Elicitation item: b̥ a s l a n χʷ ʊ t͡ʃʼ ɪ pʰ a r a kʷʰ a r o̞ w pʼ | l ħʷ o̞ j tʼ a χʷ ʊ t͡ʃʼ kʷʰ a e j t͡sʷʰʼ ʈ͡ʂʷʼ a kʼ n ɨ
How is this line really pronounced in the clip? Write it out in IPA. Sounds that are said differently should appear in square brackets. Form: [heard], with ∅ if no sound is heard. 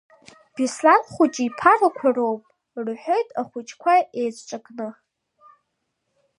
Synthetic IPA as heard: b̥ [i] s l a n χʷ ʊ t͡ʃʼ [i] pʰ a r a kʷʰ a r o̞ w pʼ | [r] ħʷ o̞ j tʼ a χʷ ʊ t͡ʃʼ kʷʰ a e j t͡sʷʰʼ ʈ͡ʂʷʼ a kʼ n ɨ